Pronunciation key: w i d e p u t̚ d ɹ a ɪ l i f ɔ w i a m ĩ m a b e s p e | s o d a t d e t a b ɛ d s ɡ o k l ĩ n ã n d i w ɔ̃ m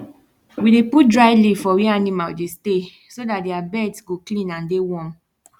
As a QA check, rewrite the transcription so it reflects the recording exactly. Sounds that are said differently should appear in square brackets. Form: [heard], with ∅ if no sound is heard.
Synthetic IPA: w i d e p u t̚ d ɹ a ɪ l i f ɔ w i a [n] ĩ m a [d] e s [t] e | s o d a t d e [∅] a b ɛ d s ɡ o k l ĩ n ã n d [e] w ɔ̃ m